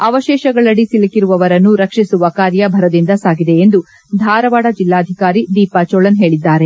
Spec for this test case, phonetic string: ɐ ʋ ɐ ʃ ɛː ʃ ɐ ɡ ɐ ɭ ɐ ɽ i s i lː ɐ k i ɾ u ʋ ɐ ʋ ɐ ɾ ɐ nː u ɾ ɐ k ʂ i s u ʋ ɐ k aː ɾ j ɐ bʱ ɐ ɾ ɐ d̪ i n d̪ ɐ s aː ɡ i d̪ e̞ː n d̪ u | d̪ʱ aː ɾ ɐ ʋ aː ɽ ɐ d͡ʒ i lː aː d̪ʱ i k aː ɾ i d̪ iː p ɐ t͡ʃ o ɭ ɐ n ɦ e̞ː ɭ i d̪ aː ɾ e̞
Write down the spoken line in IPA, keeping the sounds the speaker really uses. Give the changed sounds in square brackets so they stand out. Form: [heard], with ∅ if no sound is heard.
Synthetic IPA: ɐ ʋ ɐ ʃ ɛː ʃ ɐ ɡ ɐ ɭ ɐ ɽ i s i [l] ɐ k i ɾ u ʋ ɐ ʋ ɐ ɾ ɐ nː u ɾ ɐ k ʂ i s u ʋ ɐ k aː ɾ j ɐ bʱ ɐ ɾ ɐ d̪ i n d̪ ɐ s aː ɡ i d̪ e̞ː n d̪ u | d̪ʱ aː ɾ ɐ ʋ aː ɽ ɐ d͡ʒ i lː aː d̪ʱ i k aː ɾ i d̪ iː p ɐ t͡ʃ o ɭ ɐ n ɦ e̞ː ɭ i [d̪ː] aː ɾ e̞